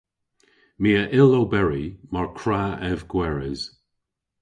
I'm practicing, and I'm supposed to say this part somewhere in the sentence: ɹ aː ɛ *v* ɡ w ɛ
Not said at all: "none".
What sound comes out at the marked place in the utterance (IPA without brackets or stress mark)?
v